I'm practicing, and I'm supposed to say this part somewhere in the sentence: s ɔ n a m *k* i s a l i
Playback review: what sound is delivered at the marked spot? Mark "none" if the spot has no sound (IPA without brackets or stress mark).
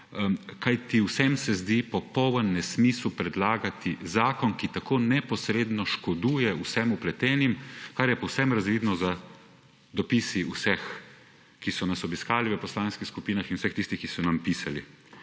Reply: p